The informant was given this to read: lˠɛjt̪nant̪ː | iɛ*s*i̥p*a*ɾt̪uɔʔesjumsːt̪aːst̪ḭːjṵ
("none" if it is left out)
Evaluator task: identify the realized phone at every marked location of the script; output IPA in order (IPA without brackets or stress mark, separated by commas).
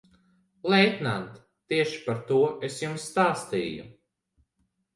ʃ, a